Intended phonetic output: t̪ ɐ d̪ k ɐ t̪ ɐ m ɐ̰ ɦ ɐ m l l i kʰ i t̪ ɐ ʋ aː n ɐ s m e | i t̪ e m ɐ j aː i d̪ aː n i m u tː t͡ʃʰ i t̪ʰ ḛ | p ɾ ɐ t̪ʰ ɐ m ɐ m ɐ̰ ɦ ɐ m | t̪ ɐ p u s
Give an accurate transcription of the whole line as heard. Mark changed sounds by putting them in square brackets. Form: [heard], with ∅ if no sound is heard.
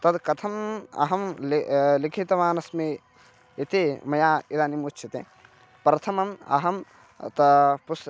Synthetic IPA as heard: t̪ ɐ d̪ k ɐ [t̪ʰ] ɐ m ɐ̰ ɦ ɐ m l l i kʰ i t̪ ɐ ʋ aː n ɐ s m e | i t̪ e m ɐ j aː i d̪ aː n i m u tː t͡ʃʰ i [t̪] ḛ | p ɾ ɐ t̪ʰ ɐ m ɐ m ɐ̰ ɦ ɐ m | t̪ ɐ p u s